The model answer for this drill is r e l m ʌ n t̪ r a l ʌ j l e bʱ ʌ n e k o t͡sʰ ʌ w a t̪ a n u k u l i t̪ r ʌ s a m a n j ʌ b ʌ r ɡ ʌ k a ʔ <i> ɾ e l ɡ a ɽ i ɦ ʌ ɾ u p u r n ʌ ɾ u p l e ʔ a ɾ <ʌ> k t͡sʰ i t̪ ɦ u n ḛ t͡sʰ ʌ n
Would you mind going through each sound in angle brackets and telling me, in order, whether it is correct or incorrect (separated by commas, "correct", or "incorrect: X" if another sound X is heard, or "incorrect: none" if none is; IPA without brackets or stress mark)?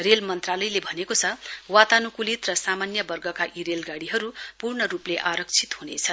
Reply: correct, correct